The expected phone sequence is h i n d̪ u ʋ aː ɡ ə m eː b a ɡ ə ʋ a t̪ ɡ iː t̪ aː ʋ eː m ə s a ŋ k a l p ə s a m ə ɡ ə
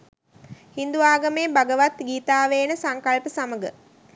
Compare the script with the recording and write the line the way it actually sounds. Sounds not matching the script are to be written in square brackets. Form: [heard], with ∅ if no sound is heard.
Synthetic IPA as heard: h i n d̪ u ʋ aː ɡ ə m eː b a ɡ ə ʋ a t̪ ɡ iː t̪ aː ʋ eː [n] ə s a ŋ k a l p ə s a m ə ɡ ə